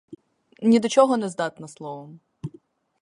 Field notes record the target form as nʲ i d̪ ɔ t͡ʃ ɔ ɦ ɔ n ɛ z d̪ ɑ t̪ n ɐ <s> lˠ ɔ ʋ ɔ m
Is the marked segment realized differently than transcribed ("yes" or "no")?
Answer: no